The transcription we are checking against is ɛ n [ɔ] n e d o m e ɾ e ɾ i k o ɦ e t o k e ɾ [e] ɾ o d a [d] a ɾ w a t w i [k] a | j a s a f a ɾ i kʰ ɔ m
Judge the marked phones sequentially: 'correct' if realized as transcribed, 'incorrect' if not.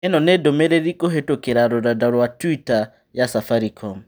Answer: correct, incorrect: a, correct, incorrect: t

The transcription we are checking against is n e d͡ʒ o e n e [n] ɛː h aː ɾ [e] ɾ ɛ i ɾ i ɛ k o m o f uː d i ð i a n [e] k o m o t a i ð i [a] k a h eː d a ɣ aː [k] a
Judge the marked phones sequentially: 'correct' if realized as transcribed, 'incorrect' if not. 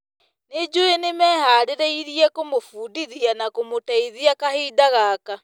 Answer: incorrect: m, correct, incorrect: a, correct, correct

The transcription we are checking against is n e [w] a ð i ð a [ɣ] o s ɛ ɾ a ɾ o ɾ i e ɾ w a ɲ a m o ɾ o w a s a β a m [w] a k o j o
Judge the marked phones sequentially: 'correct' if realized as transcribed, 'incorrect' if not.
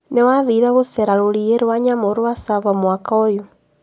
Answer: correct, correct, correct

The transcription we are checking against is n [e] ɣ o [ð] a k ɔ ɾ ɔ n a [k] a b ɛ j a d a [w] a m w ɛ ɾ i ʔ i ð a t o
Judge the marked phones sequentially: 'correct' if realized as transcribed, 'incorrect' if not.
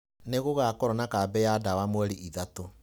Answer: correct, incorrect: ɣ, correct, correct

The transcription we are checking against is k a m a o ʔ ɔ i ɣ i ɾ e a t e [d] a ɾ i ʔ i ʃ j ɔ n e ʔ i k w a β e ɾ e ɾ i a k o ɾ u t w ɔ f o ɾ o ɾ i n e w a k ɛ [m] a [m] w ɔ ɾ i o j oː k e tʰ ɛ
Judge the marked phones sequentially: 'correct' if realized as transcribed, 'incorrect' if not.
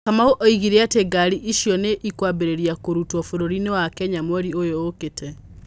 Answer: incorrect: ɡ, incorrect: ɲ, correct

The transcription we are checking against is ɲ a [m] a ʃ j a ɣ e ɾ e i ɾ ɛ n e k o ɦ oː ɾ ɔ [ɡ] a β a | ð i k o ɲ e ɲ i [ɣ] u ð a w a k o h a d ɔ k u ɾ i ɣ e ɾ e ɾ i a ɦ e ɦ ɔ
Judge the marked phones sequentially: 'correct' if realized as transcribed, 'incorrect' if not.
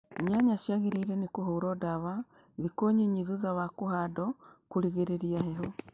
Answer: incorrect: ɲ, incorrect: d, incorrect: ð

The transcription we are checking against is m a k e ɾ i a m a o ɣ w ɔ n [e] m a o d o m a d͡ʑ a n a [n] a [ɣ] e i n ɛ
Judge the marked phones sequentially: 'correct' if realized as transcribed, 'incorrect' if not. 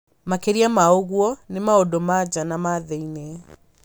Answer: correct, incorrect: m, incorrect: ð

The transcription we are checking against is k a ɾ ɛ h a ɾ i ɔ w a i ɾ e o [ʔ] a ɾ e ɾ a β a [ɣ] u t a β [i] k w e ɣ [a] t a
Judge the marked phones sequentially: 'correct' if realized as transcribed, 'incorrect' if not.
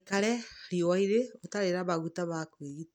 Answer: incorrect: t, correct, incorrect: a, incorrect: i

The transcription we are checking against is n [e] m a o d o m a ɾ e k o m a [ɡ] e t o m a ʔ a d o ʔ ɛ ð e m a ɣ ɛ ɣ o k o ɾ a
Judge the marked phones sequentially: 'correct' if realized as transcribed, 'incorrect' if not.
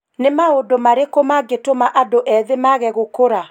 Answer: correct, correct

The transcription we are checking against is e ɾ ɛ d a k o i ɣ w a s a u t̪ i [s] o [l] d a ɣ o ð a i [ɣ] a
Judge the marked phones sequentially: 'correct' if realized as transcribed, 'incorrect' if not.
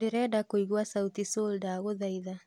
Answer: correct, correct, incorrect: ð

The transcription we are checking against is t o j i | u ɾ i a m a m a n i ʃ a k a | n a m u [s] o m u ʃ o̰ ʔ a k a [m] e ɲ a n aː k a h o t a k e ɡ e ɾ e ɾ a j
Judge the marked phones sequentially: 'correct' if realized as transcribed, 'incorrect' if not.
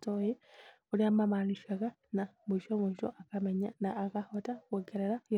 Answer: incorrect: ʃ, correct

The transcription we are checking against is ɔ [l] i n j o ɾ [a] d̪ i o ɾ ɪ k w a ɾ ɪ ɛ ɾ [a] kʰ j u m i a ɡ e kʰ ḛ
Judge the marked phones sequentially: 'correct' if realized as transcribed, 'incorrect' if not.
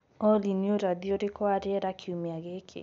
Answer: correct, correct, correct

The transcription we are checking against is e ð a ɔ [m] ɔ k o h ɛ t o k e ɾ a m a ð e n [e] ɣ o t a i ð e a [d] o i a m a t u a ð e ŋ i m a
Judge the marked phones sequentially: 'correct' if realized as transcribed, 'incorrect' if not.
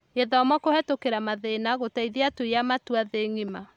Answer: correct, incorrect: a, incorrect: t

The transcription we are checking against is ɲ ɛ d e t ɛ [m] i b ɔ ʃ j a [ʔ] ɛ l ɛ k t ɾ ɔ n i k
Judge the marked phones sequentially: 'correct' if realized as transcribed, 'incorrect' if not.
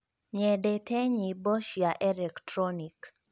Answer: incorrect: ɲ, correct

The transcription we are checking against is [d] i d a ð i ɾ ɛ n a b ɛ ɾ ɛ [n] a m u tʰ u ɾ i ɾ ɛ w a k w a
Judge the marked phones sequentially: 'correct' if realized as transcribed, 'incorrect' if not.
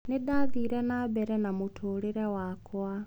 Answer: incorrect: n, correct

